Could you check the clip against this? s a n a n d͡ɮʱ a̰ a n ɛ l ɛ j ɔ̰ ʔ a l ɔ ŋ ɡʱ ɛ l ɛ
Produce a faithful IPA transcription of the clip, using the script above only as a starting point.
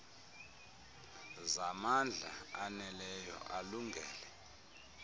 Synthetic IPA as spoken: z a m a n d͡ɮʱ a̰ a n ɛ l ɛ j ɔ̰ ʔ a l u ŋ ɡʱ ɛː l ɛ